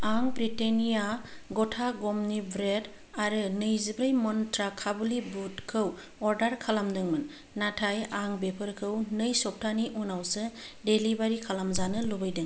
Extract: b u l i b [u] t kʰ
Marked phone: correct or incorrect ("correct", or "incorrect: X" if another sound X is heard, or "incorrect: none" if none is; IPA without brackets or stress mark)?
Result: correct